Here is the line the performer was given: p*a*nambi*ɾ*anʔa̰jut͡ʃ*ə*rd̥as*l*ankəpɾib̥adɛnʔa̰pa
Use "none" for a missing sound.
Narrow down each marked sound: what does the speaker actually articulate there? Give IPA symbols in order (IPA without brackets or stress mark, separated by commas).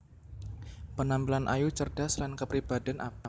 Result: ə, l, ə, l